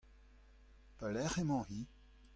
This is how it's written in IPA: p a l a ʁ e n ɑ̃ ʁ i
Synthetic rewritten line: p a l ɛ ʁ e m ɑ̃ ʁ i